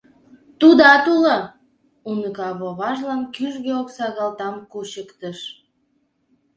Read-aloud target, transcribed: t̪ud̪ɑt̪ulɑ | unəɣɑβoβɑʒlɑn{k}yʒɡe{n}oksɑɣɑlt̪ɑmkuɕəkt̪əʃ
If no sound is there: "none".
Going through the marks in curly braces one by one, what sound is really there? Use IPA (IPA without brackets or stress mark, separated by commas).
k, none